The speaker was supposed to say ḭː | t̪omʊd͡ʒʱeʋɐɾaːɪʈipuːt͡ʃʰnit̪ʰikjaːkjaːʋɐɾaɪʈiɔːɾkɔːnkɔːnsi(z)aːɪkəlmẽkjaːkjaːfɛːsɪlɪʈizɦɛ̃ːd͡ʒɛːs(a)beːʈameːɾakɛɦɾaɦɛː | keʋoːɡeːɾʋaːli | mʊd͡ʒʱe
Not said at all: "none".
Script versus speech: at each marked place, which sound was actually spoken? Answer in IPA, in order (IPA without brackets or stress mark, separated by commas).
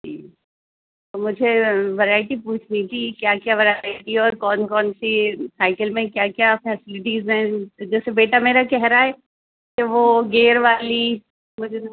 s, e